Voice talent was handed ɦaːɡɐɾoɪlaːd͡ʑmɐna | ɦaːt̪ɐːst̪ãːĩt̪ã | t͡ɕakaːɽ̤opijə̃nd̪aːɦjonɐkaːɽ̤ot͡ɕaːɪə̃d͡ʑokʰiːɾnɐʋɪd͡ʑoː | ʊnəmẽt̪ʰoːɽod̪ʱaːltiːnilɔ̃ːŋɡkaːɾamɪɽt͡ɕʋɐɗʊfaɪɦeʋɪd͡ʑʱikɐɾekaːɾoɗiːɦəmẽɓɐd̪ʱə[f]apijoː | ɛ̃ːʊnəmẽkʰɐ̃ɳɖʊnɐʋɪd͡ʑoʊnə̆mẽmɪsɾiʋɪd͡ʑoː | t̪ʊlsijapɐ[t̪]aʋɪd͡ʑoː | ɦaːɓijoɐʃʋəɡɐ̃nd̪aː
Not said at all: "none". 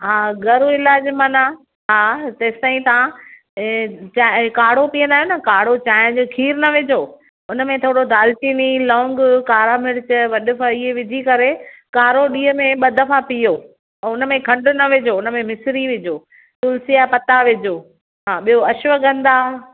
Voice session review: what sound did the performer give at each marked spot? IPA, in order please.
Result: f, t̪

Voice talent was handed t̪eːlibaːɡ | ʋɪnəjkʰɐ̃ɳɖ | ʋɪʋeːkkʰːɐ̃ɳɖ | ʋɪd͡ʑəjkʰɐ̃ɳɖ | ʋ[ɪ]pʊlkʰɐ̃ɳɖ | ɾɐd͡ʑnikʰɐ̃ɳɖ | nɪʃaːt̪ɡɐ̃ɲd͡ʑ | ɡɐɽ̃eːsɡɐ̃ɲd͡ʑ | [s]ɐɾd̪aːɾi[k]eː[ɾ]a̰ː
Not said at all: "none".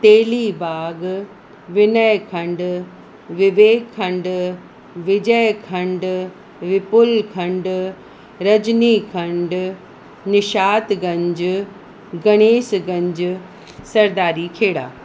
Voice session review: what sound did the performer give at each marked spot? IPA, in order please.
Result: ɪ, s, kʰ, ɽ

